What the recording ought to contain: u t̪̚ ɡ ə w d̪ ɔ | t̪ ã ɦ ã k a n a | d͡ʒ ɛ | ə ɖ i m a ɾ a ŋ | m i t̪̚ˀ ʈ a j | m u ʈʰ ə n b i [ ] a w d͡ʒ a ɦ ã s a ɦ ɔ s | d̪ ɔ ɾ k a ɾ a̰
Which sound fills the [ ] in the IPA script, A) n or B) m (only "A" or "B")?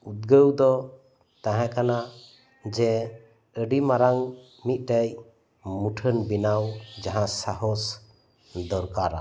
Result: A